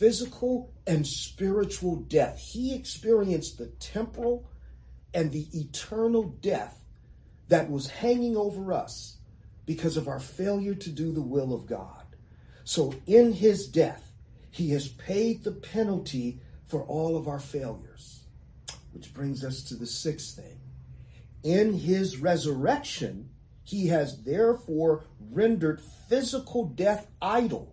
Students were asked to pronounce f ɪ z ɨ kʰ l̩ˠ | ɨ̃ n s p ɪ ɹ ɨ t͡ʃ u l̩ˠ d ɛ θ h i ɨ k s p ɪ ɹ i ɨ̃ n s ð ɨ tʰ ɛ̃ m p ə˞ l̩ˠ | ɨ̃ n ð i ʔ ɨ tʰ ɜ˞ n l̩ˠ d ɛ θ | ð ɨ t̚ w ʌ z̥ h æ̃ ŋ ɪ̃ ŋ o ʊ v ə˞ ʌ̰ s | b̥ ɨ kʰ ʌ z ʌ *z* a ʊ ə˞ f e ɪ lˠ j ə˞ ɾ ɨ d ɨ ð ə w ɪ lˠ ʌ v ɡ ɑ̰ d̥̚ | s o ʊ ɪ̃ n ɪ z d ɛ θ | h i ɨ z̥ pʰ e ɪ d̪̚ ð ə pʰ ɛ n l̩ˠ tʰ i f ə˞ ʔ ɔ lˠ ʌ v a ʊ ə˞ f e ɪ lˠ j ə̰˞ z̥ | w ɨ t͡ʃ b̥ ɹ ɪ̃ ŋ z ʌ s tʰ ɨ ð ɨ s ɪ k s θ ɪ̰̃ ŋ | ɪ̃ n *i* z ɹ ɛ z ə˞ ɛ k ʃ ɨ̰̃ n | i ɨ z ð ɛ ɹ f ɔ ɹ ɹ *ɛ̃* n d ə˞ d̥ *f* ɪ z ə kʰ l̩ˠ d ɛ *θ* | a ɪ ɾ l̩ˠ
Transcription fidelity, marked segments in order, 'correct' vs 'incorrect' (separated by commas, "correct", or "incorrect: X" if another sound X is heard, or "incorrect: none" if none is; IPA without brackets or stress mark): incorrect: v, incorrect: ɪ, correct, correct, correct